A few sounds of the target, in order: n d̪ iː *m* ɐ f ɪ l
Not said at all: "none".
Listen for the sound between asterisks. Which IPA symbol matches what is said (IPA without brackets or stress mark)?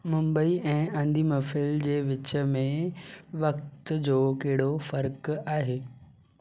m